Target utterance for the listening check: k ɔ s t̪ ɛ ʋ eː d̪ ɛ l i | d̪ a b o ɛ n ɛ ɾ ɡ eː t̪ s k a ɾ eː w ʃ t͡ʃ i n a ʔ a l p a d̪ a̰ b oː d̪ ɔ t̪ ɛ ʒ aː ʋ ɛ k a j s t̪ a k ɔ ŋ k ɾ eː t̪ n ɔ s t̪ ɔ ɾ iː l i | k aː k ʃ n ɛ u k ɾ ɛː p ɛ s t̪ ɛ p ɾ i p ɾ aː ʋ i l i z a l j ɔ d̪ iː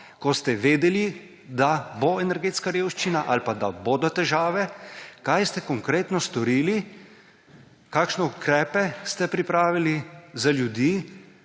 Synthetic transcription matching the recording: k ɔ s t̪ ɛ ʋ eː d̪ ɛ l i | d̪ a b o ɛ n ɛ ɾ ɡ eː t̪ s k a ɾ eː w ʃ t͡ʃ i n a ʔ a l p a d̪ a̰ b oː d̪ ɔ t̪ ɛ ʒ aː ʋ ɛ k a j s t̪ ɛ k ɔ ŋ k ɾ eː t̪ n ɔ s t̪ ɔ ɾ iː l i | k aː k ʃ n ɛ u k ɾ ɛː p ɛ s t̪ ɛ p ɾ i p ɾ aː ʋ i l i z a l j u d̪ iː